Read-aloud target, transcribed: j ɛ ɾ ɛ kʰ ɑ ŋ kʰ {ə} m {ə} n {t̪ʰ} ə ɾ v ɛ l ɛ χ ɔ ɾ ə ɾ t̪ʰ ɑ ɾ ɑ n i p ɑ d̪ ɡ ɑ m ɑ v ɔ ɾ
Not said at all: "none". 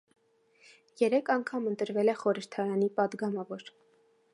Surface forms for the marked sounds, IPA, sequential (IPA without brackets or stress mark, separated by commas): ɑ, ə, t̪